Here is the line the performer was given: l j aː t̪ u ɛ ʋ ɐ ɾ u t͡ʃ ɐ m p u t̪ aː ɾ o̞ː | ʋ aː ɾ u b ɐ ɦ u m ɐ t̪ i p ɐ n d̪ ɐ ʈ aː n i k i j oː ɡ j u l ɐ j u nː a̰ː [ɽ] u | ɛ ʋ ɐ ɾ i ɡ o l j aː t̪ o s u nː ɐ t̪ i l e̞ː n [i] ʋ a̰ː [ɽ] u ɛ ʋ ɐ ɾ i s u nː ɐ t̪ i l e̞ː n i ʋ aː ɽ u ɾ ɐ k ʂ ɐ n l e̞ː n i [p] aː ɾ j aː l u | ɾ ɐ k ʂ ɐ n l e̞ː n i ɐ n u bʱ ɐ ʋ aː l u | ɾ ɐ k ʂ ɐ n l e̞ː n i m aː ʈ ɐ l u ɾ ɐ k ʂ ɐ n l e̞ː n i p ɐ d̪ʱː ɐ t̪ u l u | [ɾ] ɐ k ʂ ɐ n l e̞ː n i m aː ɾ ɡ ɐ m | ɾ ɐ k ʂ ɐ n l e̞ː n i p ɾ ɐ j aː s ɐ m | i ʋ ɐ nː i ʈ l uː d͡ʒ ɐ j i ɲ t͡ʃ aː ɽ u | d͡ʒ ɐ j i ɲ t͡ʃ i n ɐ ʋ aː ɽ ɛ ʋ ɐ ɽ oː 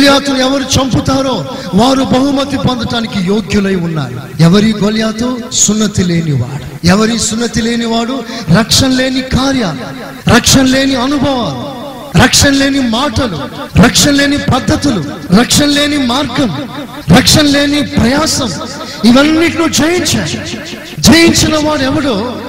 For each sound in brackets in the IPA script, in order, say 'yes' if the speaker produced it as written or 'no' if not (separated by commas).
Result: no, yes, yes, no, yes